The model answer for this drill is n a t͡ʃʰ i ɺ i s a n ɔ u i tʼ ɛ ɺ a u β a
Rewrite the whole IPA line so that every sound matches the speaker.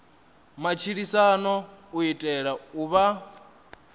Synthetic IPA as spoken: m a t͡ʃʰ i ɺ i s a n ɔ u i tʼ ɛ ɺ a u β a